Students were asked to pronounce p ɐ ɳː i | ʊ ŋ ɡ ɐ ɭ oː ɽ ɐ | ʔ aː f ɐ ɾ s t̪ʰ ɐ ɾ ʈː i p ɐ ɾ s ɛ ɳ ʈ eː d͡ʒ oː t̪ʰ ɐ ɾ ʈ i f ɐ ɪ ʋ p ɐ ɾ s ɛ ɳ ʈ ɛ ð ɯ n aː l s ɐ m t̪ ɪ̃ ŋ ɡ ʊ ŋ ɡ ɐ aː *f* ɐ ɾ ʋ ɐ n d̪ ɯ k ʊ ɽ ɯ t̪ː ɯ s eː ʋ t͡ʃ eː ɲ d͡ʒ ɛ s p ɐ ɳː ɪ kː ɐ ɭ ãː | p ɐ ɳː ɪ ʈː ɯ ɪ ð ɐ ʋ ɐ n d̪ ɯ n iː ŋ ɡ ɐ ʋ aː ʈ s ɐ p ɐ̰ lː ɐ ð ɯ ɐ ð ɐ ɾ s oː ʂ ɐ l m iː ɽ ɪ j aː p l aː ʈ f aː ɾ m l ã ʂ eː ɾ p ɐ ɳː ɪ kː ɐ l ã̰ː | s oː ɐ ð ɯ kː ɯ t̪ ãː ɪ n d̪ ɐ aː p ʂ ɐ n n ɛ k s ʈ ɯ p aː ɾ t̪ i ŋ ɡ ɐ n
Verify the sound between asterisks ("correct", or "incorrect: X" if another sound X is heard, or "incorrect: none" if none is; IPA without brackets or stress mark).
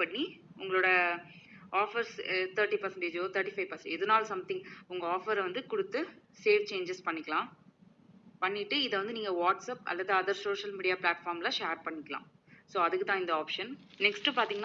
correct